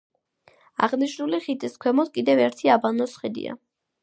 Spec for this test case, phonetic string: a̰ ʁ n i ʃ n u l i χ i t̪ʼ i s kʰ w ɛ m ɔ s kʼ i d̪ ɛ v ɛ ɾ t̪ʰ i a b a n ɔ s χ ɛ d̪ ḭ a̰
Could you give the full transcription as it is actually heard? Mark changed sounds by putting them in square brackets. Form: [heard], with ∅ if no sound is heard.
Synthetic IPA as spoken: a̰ ʁ n i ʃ n u l i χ i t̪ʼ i s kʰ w ɛ m ɔ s kʼ i d̪ ɛ v ɛ ɾ t̪ʰ i a b a n ɔ s χ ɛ d̪ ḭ a̰